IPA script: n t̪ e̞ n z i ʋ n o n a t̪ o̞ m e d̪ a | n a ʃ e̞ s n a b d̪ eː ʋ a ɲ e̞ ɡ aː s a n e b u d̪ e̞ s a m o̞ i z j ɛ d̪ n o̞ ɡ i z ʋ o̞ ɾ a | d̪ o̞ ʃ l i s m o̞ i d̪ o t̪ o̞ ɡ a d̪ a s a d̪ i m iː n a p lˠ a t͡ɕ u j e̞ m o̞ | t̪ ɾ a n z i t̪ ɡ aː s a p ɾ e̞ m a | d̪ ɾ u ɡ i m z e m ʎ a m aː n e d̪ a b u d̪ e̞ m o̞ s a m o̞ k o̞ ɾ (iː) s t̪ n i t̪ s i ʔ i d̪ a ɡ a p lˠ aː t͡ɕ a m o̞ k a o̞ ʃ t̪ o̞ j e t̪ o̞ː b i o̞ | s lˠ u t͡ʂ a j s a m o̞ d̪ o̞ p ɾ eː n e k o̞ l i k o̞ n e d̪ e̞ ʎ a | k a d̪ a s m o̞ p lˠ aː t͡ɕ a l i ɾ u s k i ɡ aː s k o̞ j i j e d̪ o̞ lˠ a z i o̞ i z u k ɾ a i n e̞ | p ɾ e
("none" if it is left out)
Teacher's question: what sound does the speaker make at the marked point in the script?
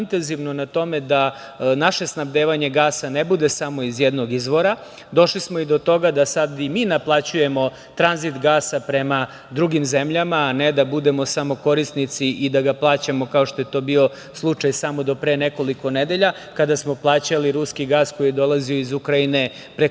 i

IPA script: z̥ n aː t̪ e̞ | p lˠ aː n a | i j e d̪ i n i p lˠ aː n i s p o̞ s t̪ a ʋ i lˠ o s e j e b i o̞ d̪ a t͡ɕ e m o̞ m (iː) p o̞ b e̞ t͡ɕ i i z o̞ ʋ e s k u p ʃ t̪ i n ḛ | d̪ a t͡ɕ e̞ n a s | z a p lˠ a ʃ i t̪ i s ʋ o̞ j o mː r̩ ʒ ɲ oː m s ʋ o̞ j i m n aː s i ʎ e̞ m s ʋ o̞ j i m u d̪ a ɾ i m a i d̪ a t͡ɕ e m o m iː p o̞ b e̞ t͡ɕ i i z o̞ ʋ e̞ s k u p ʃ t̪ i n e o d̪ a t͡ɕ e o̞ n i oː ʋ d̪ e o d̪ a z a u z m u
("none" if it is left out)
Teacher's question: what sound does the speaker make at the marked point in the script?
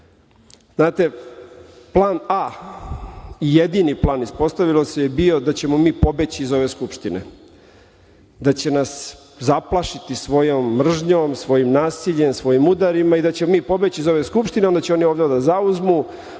iː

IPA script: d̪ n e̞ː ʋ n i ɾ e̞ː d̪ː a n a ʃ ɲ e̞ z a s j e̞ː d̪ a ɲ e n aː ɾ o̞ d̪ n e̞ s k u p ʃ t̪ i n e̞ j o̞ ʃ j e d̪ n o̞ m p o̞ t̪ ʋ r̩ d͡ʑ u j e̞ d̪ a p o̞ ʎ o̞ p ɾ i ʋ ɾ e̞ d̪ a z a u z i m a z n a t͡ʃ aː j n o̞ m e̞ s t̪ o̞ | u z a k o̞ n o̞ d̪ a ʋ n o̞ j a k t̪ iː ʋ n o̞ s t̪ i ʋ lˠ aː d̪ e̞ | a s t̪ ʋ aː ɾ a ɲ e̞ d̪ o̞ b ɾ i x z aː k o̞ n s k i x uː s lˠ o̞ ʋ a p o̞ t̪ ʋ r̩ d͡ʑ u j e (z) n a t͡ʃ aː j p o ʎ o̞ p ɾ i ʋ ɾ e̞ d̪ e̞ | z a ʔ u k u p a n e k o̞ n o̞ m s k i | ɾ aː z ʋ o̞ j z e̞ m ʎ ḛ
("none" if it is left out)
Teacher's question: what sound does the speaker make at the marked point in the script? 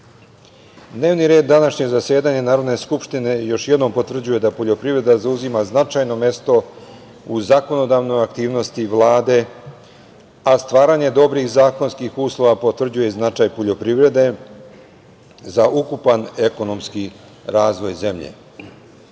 z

